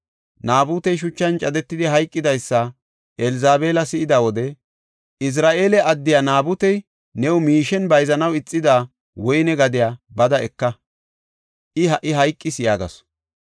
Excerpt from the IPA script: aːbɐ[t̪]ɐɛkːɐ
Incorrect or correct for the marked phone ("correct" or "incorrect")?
incorrect